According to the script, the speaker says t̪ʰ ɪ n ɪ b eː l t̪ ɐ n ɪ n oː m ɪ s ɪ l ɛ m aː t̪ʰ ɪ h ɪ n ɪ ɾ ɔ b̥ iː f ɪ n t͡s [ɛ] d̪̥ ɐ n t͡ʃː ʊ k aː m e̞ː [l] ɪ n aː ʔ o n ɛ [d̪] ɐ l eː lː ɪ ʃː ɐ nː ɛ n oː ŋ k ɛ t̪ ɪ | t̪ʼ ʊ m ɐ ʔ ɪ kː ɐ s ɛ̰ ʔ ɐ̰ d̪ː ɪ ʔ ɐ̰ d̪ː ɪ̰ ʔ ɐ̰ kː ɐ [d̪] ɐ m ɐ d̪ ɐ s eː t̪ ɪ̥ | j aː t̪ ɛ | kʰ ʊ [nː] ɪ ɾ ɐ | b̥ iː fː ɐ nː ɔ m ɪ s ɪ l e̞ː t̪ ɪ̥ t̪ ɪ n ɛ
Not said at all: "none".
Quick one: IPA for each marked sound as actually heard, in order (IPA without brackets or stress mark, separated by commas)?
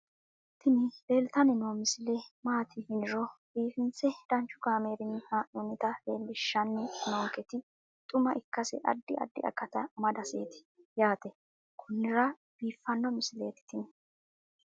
ɛ, ɾ, t̪, t̪, nː